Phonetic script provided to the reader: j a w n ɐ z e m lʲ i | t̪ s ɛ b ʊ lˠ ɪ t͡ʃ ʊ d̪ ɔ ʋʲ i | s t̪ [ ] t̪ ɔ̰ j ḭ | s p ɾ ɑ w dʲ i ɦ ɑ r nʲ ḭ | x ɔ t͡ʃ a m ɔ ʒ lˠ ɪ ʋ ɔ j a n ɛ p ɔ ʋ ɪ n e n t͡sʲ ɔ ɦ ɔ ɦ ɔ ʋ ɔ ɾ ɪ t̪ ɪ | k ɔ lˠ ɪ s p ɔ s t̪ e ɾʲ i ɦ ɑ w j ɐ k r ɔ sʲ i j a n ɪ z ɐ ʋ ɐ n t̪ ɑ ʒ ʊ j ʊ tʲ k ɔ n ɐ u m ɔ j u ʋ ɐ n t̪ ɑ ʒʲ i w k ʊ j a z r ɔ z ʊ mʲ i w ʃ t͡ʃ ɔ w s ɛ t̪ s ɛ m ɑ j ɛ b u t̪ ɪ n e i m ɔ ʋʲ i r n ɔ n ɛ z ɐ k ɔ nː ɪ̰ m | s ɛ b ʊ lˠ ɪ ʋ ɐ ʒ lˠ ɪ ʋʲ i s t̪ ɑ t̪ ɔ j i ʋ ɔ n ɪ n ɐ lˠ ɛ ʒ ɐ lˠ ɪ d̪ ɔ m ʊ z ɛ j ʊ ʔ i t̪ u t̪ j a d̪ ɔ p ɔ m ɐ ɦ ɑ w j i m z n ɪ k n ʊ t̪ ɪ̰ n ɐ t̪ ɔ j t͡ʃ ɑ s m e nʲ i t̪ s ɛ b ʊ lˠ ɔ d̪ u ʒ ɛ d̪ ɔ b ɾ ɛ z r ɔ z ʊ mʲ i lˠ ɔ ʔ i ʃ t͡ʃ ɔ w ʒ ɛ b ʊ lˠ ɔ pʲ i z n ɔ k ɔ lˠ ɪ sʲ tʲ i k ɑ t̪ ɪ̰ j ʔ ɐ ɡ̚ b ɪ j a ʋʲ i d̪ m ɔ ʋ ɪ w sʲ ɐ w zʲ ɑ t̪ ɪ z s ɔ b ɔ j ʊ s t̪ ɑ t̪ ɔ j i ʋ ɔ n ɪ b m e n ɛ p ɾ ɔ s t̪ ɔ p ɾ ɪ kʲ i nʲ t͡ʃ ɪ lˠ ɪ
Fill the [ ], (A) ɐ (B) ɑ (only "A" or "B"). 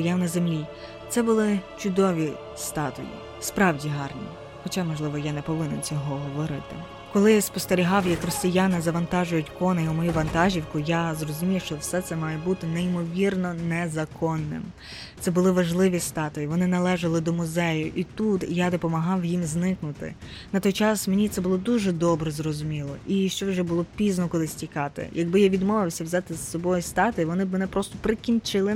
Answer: B